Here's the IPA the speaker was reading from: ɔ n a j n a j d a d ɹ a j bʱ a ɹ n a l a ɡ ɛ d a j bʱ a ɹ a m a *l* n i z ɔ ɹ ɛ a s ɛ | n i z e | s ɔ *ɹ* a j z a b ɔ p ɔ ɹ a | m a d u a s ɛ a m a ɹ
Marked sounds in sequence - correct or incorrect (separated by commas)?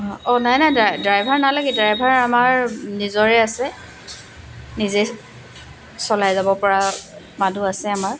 incorrect, incorrect